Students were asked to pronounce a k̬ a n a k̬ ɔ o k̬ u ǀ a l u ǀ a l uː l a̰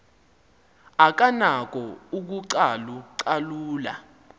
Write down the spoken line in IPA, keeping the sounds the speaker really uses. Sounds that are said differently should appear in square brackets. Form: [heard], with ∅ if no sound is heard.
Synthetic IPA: a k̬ a n a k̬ ɔ [u] k̬ u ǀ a l u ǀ a l uː l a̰